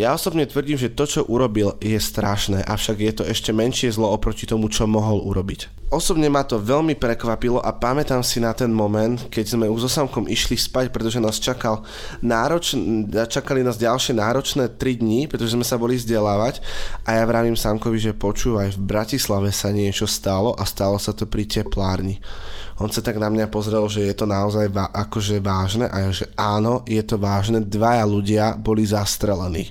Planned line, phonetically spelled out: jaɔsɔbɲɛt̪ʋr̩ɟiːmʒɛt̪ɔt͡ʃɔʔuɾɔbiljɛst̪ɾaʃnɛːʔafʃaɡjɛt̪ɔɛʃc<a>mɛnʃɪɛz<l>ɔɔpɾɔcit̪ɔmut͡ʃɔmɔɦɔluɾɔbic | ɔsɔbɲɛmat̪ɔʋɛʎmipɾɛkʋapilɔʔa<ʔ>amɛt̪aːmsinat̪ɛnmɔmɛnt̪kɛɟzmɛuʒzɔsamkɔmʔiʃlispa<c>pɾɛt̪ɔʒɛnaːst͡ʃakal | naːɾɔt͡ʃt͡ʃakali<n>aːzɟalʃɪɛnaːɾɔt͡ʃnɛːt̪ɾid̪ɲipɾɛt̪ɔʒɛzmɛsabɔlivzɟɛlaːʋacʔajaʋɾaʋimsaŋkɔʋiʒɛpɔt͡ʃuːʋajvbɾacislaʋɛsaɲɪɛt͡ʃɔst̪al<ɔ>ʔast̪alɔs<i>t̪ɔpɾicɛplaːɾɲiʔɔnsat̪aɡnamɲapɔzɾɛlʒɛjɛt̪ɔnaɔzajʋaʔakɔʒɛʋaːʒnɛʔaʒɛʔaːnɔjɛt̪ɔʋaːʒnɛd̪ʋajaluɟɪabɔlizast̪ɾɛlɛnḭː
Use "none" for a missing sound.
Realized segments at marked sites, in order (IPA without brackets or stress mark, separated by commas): ɛ, l, p, c, n, ɔ, a